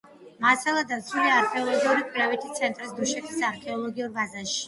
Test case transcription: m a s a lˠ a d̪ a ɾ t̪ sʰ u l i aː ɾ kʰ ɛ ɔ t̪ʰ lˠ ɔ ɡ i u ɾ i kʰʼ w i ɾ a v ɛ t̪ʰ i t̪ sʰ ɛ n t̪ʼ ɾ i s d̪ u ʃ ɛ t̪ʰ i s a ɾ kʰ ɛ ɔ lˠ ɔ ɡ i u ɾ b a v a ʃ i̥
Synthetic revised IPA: m a s a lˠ a d̪ a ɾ t̪ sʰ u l i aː ɾ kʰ ɛ ɔ lˠ ɔ ɡ i u ɾ i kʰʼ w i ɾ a v ɛ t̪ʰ i t̪ sʰ ɛ n t̪ʼ ɾ i s d̪ u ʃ ɛ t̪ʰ i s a ɾ kʰ ɛ ɔ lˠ ɔ ɡ i u ɾ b a z a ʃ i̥